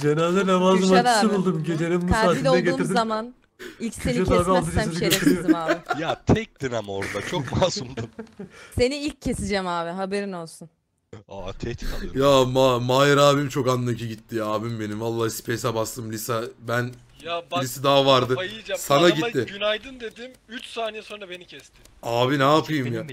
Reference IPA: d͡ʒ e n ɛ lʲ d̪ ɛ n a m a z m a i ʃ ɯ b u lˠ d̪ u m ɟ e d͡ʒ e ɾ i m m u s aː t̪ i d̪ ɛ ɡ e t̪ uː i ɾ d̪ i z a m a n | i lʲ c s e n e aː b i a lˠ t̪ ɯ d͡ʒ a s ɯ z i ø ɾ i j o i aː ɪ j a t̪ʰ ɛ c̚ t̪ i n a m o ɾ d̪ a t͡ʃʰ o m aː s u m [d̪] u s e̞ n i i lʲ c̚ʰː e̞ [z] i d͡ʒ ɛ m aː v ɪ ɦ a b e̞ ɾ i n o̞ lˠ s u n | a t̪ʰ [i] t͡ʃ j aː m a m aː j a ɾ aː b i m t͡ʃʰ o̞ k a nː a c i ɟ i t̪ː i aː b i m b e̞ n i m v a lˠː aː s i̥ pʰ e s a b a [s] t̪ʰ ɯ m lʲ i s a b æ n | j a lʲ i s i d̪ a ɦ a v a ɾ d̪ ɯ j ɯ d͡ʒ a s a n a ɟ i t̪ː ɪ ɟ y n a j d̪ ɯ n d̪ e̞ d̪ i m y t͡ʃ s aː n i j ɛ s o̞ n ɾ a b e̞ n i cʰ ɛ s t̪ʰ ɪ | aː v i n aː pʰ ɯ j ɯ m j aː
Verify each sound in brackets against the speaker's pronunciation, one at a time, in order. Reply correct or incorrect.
correct, incorrect, incorrect, correct

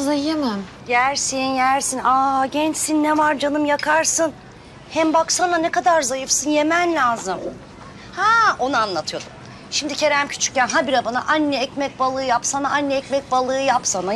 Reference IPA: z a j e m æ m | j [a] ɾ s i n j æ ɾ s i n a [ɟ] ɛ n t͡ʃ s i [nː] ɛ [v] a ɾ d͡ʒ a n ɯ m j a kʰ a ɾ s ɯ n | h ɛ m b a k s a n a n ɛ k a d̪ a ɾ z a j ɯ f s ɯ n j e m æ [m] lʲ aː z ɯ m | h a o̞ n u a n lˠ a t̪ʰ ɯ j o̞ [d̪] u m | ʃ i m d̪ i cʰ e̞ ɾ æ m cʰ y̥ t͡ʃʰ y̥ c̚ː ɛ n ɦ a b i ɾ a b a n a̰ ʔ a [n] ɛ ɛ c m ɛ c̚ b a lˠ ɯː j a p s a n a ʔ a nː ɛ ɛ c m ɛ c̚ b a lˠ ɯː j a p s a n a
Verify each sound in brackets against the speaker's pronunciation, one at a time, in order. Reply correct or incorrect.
incorrect, correct, correct, correct, incorrect, correct, incorrect

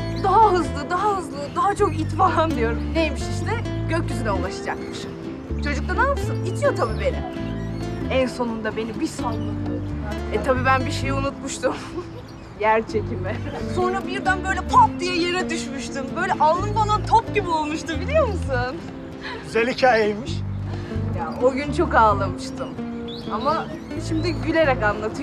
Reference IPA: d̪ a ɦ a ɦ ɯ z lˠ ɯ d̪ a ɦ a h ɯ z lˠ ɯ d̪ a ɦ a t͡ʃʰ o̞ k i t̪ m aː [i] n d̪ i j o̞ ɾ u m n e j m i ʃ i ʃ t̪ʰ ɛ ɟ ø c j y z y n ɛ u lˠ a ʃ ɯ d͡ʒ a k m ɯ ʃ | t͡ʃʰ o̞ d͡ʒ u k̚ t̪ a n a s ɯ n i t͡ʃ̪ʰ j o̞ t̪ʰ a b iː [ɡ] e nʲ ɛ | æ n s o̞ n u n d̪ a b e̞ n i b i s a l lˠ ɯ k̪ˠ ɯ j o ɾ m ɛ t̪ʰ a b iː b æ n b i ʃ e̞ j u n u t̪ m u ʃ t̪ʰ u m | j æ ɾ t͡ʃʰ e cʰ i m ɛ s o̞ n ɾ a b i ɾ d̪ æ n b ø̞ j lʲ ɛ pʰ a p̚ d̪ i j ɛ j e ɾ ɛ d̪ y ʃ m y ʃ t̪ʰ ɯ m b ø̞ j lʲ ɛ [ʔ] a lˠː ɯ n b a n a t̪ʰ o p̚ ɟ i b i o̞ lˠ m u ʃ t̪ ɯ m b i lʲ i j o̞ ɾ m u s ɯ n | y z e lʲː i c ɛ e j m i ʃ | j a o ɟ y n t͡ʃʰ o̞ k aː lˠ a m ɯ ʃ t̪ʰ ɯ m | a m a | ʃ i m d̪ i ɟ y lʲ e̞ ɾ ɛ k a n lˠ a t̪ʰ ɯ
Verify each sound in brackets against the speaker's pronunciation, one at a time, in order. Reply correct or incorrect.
incorrect, incorrect, correct

